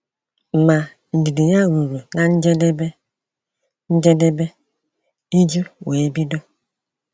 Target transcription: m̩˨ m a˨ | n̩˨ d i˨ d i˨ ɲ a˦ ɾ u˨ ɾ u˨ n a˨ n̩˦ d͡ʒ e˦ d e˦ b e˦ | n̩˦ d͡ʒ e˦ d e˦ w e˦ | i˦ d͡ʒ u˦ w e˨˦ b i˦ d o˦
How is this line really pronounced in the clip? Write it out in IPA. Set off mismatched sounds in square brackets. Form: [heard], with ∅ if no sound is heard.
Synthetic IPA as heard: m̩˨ m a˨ | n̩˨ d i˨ d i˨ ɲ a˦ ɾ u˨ ɾ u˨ n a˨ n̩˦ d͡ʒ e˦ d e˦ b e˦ | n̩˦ d͡ʒ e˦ d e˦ [b] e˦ | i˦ d͡ʒ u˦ w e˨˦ b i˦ d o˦